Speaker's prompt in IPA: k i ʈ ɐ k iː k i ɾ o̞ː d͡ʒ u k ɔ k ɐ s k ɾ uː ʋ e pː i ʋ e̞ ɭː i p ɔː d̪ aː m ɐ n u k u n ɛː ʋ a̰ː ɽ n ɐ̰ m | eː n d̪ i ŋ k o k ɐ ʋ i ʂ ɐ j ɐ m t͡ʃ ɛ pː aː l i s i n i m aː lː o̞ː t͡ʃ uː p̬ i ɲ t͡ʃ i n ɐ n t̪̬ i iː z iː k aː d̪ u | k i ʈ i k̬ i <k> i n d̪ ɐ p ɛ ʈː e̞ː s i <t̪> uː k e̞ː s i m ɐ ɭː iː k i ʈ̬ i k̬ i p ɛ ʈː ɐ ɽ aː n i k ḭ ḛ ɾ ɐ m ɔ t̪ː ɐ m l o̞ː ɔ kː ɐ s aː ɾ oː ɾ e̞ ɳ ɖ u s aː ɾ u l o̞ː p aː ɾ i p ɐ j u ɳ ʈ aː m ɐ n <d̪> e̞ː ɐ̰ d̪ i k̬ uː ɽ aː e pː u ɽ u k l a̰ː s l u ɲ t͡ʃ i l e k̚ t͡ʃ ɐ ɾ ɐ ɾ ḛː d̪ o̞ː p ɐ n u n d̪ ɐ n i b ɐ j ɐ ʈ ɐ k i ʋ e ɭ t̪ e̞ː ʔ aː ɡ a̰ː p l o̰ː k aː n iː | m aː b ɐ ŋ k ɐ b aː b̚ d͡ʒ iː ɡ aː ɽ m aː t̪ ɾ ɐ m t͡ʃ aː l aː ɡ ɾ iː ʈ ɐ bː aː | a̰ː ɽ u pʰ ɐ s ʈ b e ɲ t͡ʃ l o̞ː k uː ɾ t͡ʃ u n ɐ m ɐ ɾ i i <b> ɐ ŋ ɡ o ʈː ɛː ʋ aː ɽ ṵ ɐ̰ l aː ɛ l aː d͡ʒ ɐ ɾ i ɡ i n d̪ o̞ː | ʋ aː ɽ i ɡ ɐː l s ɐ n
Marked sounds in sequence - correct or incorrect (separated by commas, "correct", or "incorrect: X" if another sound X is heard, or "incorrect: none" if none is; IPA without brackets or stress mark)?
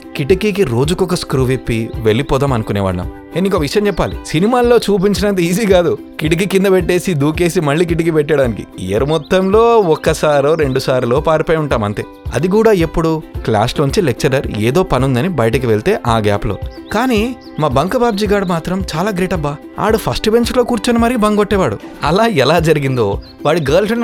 correct, incorrect: d̪, incorrect: t̪, correct